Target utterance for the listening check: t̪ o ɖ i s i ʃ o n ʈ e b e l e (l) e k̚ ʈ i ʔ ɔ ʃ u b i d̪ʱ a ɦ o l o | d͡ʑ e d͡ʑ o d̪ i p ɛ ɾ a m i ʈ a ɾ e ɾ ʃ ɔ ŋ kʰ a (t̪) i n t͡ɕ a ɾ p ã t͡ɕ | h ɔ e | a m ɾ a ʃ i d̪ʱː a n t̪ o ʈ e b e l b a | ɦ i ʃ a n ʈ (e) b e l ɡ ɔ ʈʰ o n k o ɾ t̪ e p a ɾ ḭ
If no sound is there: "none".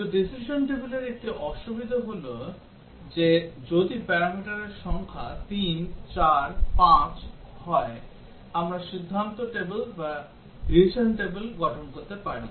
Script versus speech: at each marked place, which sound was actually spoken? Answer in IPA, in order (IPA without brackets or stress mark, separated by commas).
ɾ, t̪, e